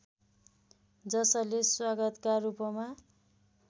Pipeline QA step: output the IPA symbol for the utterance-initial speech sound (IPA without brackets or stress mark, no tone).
d͡z